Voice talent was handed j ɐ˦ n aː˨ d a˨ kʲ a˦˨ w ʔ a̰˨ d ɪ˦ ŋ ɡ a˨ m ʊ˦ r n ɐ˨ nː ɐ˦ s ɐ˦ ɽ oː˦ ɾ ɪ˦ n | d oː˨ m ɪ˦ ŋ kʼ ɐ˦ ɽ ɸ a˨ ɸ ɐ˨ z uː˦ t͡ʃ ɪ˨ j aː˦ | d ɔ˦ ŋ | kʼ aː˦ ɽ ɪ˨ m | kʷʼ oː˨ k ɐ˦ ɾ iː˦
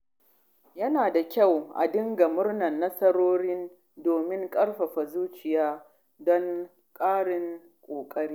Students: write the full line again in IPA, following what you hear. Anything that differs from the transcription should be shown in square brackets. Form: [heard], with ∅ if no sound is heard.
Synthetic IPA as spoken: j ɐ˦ n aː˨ d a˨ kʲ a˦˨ w ʔ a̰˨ d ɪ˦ ŋ ɡ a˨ m ʊ˦ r n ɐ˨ nː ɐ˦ s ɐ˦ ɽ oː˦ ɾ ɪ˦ n | d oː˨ m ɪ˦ ŋ kʼ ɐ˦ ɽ ɸ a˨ ɸ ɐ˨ z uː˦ t͡ʃ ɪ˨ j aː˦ | d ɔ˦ ŋ | kʼ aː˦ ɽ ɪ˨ [ŋ] | kʷʼ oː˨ [kʼ] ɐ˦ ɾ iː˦